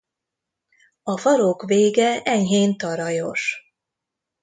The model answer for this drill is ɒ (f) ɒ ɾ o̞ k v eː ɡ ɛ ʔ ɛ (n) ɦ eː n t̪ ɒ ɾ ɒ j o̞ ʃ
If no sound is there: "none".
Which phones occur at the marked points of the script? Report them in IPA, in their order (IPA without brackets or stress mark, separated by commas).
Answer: f, ɲ